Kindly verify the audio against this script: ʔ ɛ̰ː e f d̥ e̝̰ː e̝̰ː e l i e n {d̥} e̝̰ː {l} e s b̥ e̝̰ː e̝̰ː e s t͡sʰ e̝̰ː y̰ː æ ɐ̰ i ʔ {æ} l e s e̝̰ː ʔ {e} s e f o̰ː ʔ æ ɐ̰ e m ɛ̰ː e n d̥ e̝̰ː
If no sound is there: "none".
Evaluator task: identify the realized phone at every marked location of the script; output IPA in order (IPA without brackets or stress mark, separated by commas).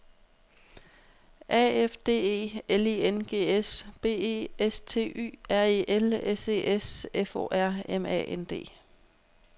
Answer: ɡ̥, none, e, e